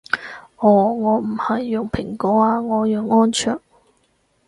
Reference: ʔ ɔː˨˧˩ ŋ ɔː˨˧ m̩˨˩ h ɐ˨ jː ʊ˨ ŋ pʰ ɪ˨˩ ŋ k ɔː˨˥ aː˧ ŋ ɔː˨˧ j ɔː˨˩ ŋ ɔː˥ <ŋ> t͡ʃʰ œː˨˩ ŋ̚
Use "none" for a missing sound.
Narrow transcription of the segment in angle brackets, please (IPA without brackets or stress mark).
n